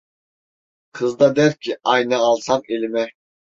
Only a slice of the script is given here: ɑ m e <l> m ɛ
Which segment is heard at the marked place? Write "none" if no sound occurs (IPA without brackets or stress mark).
l